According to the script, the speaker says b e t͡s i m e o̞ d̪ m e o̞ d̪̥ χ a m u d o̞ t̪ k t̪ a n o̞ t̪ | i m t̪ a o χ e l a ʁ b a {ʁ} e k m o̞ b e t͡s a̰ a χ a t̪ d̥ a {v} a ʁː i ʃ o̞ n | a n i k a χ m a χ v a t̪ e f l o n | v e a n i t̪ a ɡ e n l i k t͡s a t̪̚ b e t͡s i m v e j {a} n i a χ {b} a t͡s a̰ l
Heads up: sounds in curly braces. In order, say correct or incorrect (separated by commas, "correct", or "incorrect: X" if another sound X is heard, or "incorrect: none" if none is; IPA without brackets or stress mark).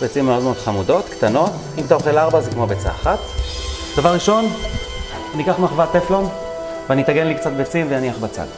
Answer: incorrect: z, correct, correct, correct